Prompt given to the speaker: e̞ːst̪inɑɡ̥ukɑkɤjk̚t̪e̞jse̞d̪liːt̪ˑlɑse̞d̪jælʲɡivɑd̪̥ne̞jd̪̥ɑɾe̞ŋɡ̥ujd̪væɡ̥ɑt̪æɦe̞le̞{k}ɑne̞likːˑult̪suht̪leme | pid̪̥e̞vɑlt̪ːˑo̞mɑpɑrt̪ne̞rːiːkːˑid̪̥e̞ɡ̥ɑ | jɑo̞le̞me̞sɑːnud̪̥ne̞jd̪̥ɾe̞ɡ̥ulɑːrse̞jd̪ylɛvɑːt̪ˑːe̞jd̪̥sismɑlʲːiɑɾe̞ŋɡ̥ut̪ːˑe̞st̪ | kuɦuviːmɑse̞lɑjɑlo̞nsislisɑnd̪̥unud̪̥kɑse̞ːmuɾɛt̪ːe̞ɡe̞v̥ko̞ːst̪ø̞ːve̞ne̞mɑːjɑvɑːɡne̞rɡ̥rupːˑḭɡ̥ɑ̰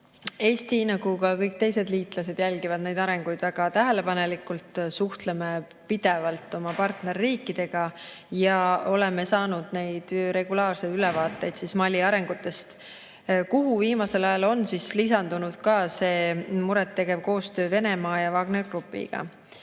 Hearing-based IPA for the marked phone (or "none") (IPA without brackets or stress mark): p